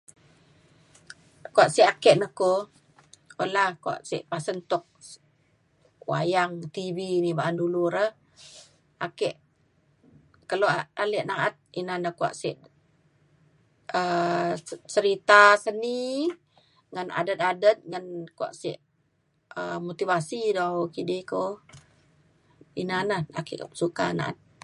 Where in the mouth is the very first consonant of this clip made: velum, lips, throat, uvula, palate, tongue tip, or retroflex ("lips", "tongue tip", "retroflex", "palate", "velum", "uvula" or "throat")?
velum